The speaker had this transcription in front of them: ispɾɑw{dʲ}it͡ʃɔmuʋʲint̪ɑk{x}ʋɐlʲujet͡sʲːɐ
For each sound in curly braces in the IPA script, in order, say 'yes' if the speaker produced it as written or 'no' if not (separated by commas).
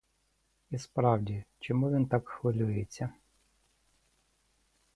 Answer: yes, yes